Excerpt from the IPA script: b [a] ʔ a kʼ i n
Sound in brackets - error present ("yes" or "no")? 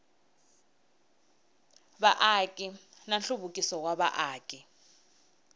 no